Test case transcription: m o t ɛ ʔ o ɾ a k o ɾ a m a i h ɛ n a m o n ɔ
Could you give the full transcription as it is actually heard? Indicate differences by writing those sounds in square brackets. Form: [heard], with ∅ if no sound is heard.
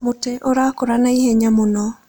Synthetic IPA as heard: m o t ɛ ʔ o ɾ a k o ɾ a [n] a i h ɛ [ɲ] a m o n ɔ